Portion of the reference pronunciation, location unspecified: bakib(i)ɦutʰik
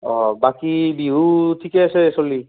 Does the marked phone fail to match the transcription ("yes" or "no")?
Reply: no